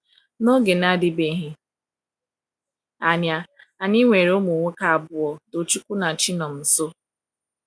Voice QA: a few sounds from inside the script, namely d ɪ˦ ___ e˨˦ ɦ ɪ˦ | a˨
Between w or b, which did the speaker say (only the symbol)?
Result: b